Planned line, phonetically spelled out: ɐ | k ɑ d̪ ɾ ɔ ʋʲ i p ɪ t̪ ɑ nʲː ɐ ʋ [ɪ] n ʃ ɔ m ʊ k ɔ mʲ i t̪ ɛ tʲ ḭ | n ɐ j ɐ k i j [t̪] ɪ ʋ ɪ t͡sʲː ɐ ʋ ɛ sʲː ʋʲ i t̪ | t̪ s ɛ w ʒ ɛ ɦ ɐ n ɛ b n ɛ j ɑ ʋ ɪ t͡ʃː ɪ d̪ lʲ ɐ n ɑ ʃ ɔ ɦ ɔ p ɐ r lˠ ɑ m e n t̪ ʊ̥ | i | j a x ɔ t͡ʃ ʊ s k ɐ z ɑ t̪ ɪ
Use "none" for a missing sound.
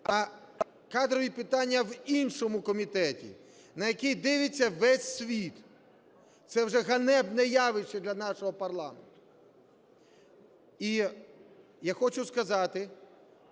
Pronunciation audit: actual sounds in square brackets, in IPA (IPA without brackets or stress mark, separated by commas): i, d̪